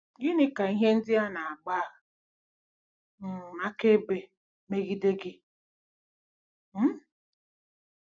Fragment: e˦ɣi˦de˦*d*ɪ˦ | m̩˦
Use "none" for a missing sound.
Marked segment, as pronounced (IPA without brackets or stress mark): ɡ